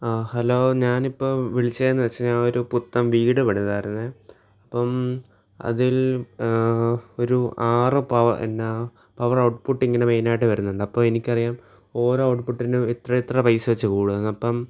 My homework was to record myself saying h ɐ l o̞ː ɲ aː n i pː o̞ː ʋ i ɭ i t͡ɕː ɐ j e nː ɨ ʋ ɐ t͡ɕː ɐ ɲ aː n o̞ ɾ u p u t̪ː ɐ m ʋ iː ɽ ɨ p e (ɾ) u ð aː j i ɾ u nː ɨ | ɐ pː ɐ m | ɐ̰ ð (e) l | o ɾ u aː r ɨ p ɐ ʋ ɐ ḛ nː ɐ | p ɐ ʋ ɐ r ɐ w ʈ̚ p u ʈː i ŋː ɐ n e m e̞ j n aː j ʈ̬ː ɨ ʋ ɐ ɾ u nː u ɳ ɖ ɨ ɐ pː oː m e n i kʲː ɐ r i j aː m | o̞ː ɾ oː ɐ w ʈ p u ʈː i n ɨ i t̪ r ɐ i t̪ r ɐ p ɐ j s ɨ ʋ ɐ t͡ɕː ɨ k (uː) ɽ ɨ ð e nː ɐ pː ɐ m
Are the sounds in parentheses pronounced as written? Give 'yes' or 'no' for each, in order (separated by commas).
no, no, yes